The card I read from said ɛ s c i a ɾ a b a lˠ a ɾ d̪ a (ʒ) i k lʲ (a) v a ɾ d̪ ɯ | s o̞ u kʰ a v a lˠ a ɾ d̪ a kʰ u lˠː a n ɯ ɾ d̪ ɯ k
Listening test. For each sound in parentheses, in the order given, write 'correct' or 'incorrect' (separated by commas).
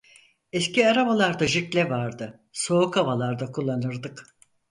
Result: correct, incorrect